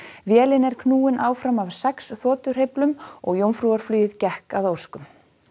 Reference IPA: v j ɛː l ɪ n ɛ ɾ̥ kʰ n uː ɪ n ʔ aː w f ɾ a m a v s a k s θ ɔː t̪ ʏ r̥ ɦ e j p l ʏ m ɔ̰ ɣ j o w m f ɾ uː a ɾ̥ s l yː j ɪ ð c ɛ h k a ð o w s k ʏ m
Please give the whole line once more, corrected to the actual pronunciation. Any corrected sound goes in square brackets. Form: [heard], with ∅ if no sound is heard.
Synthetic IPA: v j ɛː l ɪ n ɛ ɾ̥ kʰ n uː ɪ n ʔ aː w f ɾ a m a v s [ɛ] k s θ ɔː t̪ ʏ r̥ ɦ e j p l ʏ m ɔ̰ ɣ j o w m f ɾ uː a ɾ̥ [f] l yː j ɪ ð c ɛ h k a ð o w s k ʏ m